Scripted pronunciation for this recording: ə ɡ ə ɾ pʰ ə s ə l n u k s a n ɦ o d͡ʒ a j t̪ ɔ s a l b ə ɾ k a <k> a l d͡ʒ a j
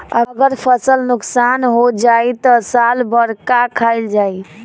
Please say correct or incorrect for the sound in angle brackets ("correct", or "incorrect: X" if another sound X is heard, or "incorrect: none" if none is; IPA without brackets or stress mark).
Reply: incorrect: kʰ